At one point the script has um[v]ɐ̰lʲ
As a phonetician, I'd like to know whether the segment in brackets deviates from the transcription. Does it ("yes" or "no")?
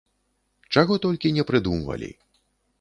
no